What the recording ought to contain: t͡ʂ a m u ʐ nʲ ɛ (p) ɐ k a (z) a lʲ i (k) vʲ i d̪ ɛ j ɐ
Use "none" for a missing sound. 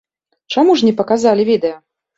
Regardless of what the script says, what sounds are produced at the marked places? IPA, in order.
p, z, none

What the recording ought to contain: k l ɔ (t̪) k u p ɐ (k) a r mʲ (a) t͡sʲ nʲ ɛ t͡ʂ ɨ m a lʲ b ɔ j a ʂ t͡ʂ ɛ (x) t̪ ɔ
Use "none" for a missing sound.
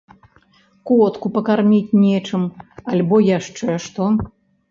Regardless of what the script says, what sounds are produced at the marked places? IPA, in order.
t̪, k, i, ʂ

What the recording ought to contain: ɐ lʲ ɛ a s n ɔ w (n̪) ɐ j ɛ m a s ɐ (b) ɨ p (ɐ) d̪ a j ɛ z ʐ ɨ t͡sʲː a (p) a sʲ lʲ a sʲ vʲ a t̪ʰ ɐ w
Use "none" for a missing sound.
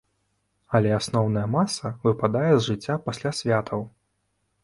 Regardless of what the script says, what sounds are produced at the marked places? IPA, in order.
n̪, v, a, p

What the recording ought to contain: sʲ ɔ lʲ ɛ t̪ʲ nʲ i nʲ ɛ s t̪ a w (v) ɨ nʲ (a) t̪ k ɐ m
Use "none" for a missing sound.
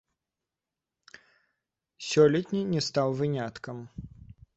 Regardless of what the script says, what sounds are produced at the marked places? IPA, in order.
v, a

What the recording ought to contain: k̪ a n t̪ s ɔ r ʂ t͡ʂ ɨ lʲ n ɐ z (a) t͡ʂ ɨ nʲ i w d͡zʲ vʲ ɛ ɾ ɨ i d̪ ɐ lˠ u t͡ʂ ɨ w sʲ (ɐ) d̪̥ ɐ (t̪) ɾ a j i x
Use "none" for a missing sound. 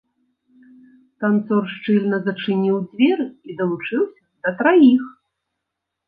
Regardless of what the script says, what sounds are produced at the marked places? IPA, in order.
ɐ, ɐ, t̪

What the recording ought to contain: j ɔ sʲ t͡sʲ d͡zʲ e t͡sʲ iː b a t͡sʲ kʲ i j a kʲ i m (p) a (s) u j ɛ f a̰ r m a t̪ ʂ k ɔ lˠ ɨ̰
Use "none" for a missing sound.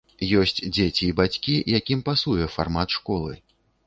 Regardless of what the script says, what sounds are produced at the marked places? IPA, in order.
p, s

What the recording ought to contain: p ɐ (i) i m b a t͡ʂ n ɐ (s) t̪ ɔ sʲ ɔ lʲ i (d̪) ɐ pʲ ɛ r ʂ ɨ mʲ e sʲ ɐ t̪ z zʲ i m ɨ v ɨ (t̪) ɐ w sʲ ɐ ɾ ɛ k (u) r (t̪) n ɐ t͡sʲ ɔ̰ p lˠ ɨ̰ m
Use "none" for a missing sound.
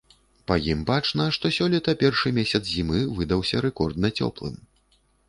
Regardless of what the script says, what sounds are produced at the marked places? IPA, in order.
j, ʂ, t̪, d̪, ɔ, d̪

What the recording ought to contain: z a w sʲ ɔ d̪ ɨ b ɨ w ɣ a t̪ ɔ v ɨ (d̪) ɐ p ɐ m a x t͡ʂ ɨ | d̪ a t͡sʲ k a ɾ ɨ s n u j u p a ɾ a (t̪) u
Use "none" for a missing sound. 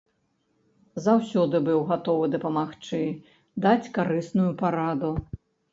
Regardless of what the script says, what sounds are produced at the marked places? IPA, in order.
d̪, d̪

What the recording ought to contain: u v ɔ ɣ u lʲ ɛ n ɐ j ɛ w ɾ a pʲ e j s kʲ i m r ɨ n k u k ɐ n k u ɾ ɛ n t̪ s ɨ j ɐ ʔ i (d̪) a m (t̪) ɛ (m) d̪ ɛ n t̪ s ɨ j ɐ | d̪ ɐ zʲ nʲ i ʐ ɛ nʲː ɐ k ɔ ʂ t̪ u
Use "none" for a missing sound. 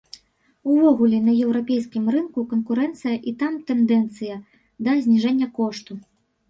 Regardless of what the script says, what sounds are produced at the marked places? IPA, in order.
t̪, t̪, n

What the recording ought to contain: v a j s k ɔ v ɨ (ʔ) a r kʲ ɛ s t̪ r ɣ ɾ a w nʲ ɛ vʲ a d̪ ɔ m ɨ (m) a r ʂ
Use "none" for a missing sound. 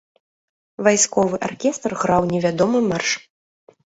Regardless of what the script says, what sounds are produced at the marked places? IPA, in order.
ʔ, m

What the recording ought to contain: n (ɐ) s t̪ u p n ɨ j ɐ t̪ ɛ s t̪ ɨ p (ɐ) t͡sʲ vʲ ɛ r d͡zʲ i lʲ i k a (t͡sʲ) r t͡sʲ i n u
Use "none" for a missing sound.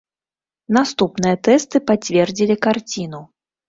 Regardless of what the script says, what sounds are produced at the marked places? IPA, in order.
a, a, none

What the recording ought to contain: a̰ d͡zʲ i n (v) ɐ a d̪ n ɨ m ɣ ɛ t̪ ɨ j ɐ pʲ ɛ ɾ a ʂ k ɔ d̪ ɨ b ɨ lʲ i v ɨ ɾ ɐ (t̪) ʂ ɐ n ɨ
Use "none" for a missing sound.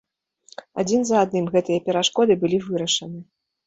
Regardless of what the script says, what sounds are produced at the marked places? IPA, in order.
z, none

